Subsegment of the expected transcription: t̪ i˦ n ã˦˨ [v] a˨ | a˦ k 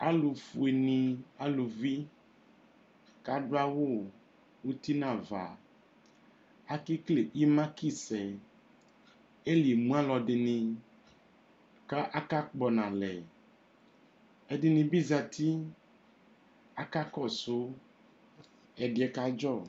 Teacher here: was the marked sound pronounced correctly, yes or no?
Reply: yes